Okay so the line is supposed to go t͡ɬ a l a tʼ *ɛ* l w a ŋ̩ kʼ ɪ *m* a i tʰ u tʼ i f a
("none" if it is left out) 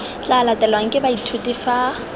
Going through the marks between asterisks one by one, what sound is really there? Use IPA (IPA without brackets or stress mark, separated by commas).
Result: ɛ, b